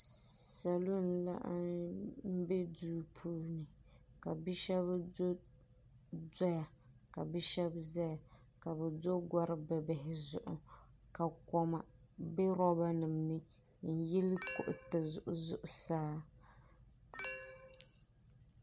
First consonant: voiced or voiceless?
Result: voiceless